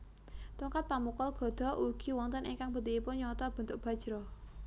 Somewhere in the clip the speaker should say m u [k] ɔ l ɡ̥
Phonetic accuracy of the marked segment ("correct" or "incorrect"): correct